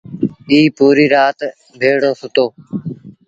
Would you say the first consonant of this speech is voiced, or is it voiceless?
voiceless